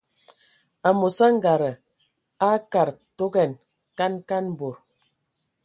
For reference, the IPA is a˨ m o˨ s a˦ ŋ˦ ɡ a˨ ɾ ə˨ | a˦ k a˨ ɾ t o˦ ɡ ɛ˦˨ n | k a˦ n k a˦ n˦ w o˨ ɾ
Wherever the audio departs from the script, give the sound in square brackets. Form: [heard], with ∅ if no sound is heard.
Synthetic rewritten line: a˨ m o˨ s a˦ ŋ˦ ɡ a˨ ɾ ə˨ | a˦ k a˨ ɾ t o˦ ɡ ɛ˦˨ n | k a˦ n k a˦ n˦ [b] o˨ ɾ